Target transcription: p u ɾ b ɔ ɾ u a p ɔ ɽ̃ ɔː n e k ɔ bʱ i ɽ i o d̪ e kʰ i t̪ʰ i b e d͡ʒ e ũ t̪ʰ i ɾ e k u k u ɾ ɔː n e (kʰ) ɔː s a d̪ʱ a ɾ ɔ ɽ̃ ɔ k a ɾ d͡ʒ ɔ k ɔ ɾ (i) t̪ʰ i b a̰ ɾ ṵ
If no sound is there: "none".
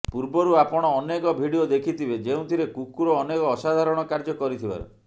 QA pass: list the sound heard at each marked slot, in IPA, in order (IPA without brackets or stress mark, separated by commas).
k, i